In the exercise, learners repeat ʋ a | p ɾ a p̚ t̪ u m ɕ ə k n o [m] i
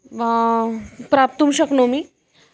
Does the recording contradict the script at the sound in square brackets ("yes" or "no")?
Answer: no